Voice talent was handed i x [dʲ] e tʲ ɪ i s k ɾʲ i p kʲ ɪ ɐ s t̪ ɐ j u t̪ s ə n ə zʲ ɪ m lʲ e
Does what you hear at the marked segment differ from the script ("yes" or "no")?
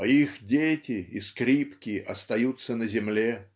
no